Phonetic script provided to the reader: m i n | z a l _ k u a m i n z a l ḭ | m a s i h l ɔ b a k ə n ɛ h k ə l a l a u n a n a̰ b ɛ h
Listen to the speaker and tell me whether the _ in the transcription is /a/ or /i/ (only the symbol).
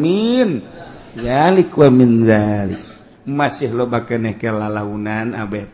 i